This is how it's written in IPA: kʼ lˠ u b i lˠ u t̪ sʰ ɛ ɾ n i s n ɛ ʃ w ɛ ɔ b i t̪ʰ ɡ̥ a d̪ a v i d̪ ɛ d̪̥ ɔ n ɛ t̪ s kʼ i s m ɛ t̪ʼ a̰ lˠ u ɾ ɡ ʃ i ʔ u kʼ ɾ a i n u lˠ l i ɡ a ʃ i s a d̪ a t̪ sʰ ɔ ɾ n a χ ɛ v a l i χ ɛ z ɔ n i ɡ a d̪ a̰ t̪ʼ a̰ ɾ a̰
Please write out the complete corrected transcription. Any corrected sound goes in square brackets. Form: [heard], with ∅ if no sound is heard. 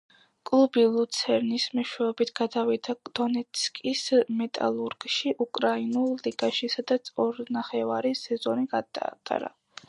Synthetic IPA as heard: kʼ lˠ u b i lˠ u t̪ sʰ ɛ ɾ n i s [m] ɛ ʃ w ɛ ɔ b i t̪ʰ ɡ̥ a d̪ a v i d̪ [a] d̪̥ ɔ n ɛ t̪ s kʼ i s m ɛ t̪ʼ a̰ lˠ u ɾ ɡ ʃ i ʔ u kʼ ɾ a i n u lˠ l i ɡ a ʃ i s a d̪ a t̪ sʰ ɔ ɾ n a χ ɛ v a [ɾ] i [s] ɛ z ɔ n i ɡ a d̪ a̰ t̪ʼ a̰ ɾ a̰